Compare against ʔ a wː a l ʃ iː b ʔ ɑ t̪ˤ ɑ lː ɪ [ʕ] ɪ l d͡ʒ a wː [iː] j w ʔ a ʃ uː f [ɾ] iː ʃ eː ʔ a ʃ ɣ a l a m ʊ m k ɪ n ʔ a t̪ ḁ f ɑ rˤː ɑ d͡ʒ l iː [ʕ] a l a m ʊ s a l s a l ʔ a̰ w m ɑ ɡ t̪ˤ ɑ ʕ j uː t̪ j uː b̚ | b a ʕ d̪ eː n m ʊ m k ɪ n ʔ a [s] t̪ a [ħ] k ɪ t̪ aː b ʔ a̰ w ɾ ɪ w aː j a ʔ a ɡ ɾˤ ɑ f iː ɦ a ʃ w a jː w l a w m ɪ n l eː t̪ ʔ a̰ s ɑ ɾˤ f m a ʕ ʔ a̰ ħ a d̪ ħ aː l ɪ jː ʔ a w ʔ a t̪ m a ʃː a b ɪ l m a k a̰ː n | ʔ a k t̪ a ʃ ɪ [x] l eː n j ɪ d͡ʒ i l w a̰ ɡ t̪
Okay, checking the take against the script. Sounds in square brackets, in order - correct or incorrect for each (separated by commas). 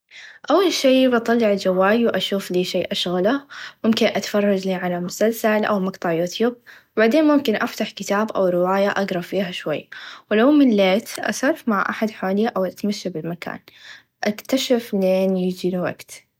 correct, incorrect, incorrect, correct, incorrect, correct, incorrect